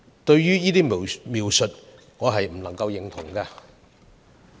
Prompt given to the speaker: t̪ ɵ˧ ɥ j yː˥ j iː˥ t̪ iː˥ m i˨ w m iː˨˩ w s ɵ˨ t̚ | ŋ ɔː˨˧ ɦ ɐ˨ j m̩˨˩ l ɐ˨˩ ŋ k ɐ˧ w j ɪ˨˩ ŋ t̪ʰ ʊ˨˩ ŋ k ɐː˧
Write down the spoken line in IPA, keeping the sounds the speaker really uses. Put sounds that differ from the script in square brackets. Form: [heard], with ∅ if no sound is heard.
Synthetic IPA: t̪ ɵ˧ ɥ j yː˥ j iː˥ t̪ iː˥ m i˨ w m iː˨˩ w s ɵ˨ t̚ | ŋ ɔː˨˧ ɦ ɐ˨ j m̩˨˩ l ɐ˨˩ ŋ k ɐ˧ w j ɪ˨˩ ŋ t̪ʰ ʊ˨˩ ŋ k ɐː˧